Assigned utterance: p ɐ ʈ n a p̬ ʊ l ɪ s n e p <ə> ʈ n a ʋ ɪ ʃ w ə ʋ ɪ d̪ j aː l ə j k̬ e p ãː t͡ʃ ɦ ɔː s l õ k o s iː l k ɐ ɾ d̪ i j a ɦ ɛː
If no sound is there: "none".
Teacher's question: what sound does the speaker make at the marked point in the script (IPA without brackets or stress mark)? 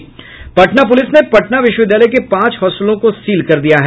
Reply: ɐ